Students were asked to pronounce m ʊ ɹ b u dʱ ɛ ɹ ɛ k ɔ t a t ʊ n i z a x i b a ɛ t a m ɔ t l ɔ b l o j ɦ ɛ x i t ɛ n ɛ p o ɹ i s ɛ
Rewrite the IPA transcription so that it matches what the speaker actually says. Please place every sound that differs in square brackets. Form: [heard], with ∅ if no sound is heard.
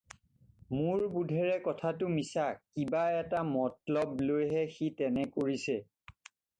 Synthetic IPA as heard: m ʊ ɹ b u dʱ ɛ ɹ ɛ k ɔ [tʰ] a t ʊ [m] i [s] a [k] i b a ɛ t a m ɔ t l ɔ b l o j ɦ ɛ x i t ɛ n ɛ [k] o ɹ i s ɛ